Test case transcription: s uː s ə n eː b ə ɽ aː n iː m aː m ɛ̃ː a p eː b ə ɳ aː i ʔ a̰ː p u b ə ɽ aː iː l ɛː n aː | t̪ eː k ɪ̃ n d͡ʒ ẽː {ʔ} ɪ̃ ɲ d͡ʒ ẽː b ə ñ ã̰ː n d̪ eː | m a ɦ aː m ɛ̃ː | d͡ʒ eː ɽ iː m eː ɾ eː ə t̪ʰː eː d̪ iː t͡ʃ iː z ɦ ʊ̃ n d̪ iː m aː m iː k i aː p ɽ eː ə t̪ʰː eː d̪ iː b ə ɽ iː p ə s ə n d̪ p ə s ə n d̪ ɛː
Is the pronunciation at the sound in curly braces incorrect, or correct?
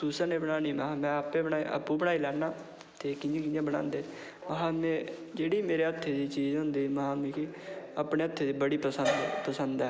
incorrect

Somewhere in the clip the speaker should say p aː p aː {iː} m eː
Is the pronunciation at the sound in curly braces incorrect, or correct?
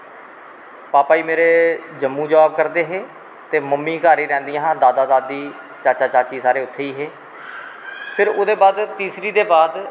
correct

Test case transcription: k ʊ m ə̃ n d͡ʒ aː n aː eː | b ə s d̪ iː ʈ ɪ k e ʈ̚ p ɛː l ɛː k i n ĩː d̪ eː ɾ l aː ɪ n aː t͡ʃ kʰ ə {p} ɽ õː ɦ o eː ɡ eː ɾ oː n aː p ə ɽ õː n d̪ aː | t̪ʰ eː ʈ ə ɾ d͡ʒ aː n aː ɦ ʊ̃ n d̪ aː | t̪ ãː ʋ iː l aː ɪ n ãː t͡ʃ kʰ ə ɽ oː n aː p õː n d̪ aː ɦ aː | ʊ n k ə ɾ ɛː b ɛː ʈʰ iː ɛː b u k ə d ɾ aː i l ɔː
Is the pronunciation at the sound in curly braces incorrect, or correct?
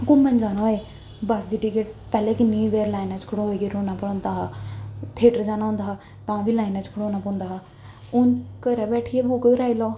incorrect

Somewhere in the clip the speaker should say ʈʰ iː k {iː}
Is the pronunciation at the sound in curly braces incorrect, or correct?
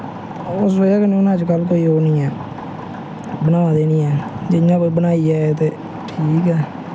incorrect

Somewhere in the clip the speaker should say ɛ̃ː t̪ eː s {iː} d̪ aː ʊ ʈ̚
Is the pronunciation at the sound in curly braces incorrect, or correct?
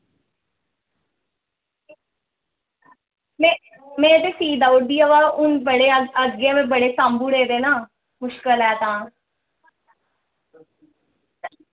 correct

